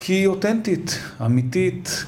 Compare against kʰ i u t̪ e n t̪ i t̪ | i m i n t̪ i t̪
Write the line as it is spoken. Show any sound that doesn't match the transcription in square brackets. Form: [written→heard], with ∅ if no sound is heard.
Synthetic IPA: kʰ i [u→o] t̪ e n t̪ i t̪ | [i→a] m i [n→∅] t̪ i t̪